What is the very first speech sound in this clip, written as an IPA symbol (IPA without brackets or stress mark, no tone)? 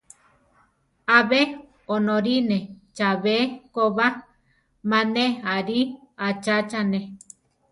a